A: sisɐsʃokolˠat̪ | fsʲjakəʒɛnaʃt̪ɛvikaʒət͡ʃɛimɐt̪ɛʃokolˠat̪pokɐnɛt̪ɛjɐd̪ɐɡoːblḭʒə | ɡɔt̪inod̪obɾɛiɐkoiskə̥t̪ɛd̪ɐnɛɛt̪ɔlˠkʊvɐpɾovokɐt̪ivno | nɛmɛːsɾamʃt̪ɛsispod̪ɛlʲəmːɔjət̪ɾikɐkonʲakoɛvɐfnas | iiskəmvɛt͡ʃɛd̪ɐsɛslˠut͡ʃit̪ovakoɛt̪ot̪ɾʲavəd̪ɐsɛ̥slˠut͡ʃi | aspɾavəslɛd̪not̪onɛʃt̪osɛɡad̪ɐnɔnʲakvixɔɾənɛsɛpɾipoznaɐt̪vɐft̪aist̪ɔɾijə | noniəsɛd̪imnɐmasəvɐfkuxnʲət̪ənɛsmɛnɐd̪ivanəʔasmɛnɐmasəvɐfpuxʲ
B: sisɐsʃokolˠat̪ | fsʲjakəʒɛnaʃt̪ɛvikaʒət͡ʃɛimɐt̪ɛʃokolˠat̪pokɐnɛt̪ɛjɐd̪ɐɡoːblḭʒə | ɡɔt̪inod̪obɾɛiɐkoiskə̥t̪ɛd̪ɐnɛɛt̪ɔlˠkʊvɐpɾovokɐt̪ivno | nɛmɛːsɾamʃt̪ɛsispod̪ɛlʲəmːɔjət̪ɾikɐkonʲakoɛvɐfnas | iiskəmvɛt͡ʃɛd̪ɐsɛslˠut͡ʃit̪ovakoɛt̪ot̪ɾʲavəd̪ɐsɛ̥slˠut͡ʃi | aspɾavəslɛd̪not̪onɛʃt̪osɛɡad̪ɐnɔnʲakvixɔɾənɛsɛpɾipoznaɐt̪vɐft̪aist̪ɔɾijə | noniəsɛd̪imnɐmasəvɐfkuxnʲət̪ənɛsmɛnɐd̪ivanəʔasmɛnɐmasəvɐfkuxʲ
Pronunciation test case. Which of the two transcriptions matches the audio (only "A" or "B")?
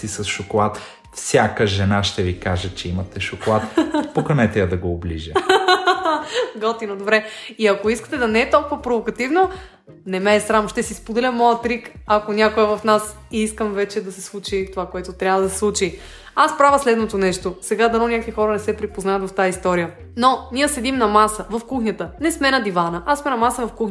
B